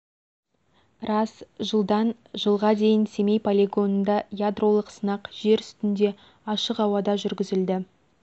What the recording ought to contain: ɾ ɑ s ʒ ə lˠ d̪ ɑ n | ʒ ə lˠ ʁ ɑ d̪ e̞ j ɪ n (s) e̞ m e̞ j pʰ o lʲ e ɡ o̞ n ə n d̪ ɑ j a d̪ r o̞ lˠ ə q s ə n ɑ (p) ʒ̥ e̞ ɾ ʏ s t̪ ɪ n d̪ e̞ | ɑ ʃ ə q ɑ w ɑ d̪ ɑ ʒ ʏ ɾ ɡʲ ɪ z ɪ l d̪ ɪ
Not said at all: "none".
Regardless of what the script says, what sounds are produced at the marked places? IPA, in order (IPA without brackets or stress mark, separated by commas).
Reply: s, q